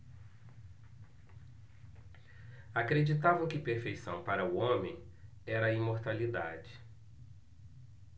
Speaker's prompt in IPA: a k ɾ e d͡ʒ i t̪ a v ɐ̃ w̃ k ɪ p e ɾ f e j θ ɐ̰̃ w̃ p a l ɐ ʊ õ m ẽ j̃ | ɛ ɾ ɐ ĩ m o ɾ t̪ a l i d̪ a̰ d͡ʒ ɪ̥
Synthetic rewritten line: a k ɾ e d͡ʒ i t̪ a v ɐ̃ w̃ k ɪ p e ɾ f e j s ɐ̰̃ w̃ p a ɾ ɐ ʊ õ m ẽ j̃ | ɛ ɾ ɐ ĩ m o ɾ t̪ a l i d̪ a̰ d͡ʒ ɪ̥